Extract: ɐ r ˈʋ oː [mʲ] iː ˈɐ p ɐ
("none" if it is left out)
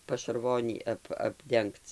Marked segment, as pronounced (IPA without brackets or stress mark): nʲ